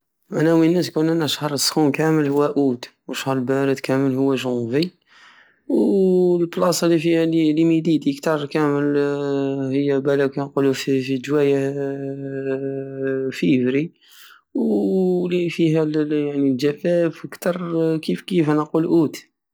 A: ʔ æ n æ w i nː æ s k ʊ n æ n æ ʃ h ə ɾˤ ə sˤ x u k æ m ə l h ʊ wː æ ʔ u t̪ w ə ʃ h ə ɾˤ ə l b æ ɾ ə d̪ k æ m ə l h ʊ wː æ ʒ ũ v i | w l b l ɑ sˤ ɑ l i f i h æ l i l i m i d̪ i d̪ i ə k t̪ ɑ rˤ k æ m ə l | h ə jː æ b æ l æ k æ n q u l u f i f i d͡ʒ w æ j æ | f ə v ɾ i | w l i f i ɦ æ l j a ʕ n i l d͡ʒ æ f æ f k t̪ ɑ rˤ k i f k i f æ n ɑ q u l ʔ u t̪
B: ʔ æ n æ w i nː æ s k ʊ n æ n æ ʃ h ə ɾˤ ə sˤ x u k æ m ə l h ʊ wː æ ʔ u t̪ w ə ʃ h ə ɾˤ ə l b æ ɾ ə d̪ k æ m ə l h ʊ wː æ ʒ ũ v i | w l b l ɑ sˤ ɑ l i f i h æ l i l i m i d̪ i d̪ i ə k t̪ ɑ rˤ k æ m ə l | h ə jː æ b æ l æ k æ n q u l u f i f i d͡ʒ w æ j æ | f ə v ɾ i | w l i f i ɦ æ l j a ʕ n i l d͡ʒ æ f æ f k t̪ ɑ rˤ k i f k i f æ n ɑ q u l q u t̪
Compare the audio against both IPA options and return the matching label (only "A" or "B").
A